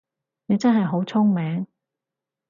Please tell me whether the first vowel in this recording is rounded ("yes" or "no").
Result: no